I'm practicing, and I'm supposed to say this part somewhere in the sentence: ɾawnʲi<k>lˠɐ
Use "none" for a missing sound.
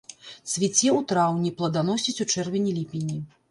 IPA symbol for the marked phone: p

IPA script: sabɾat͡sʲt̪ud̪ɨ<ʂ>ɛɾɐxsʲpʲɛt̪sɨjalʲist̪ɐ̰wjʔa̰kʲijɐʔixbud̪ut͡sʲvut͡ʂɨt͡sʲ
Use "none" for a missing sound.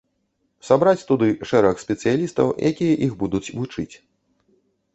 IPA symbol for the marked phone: ʂ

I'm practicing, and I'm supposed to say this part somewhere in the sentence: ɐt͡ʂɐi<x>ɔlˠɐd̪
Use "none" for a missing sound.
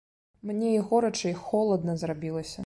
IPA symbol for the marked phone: x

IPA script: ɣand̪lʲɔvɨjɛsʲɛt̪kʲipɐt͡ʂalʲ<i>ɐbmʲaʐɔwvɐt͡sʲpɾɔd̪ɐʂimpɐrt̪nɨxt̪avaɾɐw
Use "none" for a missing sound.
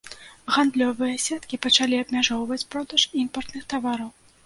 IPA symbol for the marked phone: i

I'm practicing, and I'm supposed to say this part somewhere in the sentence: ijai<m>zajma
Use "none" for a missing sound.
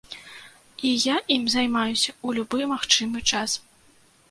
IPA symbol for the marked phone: m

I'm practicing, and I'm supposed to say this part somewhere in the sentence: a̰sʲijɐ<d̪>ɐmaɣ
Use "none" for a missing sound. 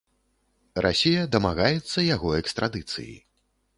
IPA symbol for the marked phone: d̪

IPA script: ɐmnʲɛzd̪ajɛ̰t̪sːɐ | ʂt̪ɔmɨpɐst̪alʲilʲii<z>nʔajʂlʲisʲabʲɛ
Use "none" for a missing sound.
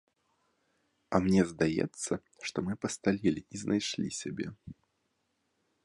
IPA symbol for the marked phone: z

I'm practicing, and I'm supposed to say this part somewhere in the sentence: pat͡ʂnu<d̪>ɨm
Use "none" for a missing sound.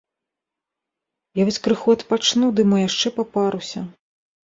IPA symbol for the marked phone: d̪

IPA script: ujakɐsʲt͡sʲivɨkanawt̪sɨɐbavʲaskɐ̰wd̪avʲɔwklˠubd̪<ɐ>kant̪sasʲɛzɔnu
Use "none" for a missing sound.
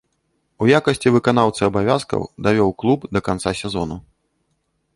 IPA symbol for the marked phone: ɐ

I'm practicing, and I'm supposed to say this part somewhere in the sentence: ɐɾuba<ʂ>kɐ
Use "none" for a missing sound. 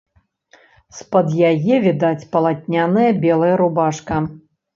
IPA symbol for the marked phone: ʂ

